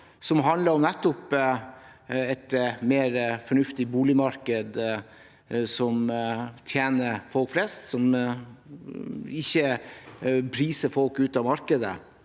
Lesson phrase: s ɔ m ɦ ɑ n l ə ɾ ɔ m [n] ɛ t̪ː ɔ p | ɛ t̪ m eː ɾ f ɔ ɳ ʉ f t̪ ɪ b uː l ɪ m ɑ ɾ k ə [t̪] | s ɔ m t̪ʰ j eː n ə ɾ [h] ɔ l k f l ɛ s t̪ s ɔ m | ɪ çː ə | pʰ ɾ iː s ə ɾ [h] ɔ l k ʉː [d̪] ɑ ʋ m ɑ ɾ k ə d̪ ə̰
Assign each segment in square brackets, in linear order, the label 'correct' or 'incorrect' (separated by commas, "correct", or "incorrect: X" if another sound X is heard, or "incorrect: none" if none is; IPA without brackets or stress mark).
correct, incorrect: d̪, incorrect: f, incorrect: f, incorrect: t̪